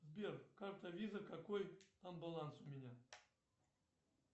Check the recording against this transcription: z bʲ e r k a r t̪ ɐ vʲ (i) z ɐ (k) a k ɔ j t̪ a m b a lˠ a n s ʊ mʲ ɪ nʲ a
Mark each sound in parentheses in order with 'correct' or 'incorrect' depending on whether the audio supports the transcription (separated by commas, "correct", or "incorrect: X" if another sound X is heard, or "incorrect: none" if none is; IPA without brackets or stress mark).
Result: correct, correct